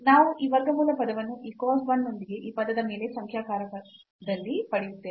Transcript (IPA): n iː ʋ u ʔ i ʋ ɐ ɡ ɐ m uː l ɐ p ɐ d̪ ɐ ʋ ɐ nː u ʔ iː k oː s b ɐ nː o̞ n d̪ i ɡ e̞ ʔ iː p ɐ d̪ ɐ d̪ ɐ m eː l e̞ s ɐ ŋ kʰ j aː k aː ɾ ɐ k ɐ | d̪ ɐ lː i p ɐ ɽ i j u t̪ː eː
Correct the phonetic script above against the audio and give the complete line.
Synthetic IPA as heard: n aː ʋ u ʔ i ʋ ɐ ɡ ɐ m uː l ɐ p ɐ d̪ ɐ ʋ ɐ nː u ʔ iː k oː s b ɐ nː o̞ n d̪ i ɡ e̞ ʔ iː p ɐ d̪ ɐ d̪ ɐ m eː l e̞ s ɐ ŋ kʰ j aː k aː ɾ ɐ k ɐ | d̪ ɐ lː i p ɐ ɽ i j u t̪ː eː